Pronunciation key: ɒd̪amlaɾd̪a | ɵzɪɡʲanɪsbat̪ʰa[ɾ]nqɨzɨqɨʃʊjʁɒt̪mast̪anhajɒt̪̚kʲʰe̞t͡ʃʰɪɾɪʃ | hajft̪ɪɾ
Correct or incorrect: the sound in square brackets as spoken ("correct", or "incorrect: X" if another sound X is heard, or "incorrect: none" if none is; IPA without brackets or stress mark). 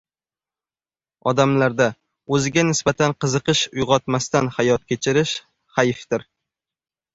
incorrect: none